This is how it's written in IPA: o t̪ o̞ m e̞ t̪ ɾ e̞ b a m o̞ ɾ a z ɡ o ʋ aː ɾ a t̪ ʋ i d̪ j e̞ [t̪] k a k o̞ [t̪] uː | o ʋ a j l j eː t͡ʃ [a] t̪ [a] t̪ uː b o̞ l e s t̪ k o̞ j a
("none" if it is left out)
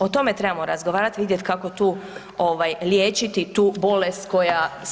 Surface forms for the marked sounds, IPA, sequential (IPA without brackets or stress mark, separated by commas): t̪, t̪, i, i